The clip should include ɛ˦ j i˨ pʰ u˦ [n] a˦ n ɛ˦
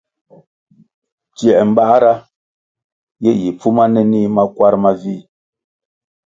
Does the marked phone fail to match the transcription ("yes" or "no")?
yes